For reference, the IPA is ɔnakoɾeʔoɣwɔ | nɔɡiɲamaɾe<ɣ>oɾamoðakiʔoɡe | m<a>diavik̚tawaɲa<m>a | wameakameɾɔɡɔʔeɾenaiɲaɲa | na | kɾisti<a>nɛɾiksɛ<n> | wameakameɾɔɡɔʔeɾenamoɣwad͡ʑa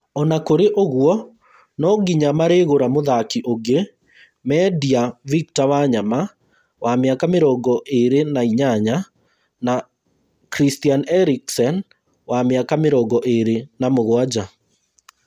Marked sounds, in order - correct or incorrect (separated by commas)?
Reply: correct, incorrect, correct, correct, correct